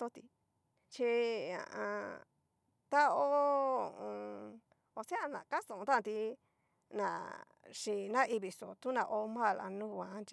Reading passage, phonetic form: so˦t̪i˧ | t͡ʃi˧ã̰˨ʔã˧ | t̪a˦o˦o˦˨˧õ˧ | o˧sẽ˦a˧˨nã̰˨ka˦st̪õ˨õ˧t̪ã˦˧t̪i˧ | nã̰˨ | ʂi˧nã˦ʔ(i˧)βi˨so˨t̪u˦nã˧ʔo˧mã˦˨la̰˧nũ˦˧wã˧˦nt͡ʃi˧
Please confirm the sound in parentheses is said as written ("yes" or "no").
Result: yes